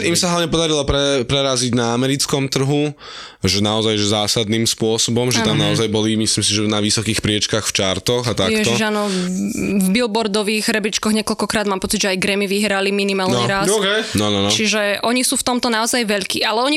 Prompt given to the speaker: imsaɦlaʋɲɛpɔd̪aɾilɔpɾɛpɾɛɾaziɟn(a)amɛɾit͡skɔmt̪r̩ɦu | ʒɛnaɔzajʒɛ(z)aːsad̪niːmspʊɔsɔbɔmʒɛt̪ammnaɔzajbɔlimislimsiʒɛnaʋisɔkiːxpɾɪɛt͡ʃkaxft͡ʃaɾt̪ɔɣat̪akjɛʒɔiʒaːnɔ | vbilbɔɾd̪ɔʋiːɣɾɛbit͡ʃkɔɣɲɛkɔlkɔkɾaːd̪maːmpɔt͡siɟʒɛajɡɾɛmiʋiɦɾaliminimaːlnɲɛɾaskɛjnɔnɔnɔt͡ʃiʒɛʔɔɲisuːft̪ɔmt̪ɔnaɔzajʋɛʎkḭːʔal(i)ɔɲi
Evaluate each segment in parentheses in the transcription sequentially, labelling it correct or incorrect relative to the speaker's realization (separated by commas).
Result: correct, correct, incorrect